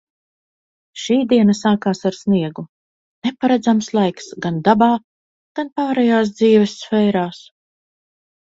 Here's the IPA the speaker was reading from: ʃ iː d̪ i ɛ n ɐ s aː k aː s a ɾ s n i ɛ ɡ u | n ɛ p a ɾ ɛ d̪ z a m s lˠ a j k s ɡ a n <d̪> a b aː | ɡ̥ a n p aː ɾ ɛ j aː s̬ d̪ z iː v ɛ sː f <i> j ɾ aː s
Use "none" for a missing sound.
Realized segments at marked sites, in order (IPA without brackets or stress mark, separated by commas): d̪, ɛ